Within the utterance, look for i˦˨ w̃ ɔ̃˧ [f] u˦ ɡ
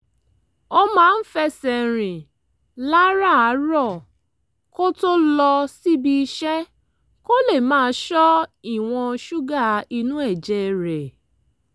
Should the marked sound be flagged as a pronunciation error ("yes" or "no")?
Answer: yes